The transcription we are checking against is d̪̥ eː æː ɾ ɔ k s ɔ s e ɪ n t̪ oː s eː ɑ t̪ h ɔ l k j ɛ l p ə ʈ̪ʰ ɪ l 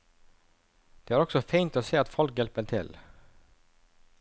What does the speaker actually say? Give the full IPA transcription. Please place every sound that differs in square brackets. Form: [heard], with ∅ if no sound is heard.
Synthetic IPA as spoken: d̪̥ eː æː ɾ ɔ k s ɔ [f] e ɪ n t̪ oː s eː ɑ t̪ [f] ɔ l k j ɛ l p ə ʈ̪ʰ ɪ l